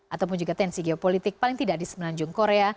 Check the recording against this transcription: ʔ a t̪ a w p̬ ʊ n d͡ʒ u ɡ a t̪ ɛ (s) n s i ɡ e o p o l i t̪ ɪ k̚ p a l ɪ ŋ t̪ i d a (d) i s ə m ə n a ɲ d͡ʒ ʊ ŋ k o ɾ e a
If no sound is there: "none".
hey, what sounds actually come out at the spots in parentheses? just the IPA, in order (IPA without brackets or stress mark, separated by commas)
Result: none, d